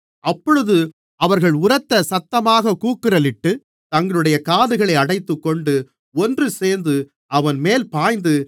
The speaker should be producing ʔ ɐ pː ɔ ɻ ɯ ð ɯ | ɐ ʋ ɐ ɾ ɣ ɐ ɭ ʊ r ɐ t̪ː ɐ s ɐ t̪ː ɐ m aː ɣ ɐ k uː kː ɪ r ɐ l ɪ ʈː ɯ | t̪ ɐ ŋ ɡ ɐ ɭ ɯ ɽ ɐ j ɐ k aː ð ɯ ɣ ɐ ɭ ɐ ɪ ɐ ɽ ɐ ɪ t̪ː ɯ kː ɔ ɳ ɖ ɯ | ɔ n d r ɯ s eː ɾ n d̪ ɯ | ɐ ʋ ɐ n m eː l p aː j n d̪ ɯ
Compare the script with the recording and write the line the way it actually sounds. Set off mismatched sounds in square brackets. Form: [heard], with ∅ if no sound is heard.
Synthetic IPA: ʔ ɐ pː ɔ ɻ ɯ ð ɯ | ɐ ʋ ɐ ɾ ɣ ɐ ɭ ʊ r ɐ t̪ː ɐ s ɐ t̪ː ɐ m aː ɣ ɐ k uː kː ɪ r ɐ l ɪ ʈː ɯ | t̪ ɐ ŋ ɡ ɐ ɭ ɯ ɽ ɐ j ɐ k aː ð ɯ ɣ ɐ ɭ ɐ ɪ ɐ ɽ ɐ ɪ t̪ː ɯ kː ɔ ɳ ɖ ɯ | ɔ n d r ɯ s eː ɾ n d̪ ɯ | ɐ ʋ ɐ n m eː l p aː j n d̪ ɯ